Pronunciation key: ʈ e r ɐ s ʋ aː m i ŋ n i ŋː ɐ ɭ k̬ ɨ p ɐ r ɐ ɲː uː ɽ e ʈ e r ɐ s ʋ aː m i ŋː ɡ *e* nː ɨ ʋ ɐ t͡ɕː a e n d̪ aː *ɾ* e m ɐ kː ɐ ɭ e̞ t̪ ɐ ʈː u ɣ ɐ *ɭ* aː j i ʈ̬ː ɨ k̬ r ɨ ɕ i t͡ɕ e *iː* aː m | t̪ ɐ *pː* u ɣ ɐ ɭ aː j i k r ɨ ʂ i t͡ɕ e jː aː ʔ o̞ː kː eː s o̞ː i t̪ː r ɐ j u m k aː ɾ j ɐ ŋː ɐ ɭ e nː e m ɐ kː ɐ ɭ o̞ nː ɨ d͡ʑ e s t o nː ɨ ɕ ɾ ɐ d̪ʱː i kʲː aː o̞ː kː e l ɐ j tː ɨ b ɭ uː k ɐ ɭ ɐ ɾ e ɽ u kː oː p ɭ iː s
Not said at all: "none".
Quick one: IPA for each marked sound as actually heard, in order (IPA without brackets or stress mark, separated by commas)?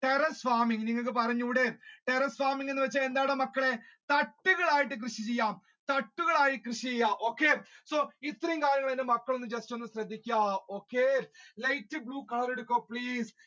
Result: e, ɽ, ɭ, jː, ʈː